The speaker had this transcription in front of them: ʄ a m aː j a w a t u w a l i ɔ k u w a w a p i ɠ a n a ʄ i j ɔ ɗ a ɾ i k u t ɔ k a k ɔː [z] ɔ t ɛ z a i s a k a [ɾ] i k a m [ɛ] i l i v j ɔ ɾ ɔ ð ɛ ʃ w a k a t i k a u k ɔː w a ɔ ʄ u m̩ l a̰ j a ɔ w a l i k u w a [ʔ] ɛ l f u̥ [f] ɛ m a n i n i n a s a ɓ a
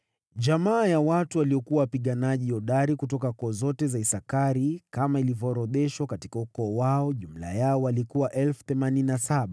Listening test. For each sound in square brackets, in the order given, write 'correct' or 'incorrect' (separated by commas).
correct, correct, incorrect, correct, incorrect